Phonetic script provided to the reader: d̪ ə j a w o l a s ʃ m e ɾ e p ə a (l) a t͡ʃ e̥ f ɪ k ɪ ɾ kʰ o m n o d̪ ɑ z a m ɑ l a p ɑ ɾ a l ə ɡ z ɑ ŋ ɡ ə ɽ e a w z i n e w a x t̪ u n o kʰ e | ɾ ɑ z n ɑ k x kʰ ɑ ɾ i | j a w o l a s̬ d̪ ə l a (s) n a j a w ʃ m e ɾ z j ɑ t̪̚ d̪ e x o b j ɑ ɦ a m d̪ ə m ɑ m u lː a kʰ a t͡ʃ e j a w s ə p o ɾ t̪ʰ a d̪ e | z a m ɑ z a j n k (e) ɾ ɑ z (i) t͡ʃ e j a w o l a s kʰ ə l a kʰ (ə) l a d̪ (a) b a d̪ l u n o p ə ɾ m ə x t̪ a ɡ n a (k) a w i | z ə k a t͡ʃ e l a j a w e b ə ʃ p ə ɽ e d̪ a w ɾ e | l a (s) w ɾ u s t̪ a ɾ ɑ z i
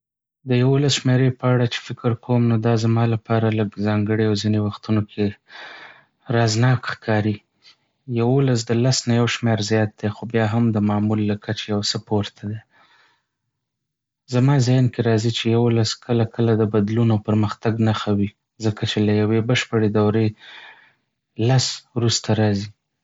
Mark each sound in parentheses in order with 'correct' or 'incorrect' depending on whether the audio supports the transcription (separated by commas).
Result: incorrect, correct, correct, correct, correct, incorrect, incorrect, correct